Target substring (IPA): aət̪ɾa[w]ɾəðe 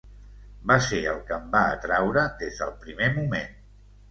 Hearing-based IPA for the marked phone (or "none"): w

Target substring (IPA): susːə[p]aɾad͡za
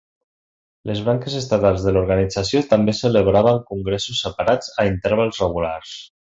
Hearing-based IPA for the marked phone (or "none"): p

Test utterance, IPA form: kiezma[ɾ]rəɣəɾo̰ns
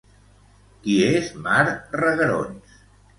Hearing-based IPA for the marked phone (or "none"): ɾ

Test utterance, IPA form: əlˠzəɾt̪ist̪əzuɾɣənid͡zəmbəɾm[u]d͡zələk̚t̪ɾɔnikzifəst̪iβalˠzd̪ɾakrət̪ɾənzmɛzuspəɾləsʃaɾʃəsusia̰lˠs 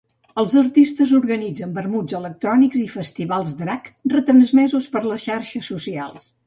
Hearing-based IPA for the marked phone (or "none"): u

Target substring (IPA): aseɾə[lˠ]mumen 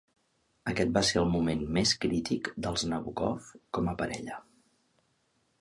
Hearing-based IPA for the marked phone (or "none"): lˠ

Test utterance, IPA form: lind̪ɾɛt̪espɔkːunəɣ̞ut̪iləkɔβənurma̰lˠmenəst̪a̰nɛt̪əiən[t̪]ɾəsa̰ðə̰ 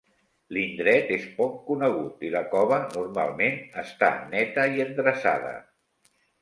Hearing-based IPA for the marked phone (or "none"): d̪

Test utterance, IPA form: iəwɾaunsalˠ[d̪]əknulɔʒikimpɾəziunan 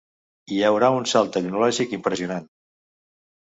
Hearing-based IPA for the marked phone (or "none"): t̪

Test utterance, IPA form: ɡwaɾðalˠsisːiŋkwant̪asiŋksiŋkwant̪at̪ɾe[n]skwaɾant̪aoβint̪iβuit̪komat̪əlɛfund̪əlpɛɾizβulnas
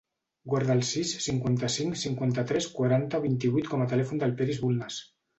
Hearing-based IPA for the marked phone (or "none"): none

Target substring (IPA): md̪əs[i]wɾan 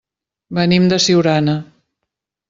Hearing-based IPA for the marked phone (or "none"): i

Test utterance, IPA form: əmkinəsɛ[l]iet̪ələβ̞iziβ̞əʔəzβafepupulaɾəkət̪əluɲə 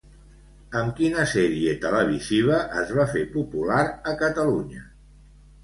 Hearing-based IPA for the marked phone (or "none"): ɾ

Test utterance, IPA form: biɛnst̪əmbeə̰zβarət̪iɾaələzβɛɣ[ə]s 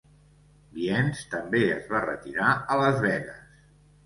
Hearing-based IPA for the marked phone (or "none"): ə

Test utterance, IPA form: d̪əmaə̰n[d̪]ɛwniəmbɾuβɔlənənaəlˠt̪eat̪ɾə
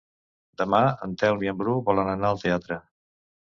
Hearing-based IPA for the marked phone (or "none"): t̪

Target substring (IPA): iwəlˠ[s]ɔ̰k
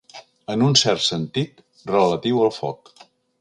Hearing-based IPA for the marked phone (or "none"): f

